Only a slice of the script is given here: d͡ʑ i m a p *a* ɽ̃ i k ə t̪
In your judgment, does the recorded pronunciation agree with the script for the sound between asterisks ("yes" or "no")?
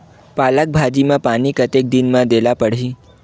yes